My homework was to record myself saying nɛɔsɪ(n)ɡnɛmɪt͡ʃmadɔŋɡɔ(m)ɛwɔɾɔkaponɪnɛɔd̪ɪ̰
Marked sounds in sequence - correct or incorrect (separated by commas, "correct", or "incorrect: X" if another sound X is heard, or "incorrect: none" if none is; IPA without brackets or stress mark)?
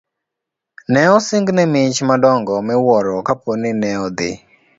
incorrect: ŋ, correct